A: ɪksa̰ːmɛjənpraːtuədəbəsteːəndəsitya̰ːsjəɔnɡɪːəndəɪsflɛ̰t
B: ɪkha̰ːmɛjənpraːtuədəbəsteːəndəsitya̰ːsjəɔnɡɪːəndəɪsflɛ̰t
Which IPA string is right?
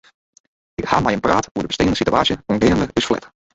B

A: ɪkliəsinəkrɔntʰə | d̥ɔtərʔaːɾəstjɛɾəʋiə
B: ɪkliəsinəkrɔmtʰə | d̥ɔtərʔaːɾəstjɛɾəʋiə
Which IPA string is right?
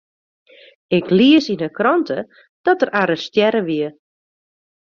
A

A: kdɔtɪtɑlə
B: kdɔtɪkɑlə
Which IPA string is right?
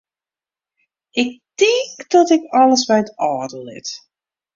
B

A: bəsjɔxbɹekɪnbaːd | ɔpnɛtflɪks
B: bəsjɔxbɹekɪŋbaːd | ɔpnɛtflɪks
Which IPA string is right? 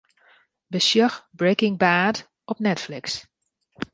B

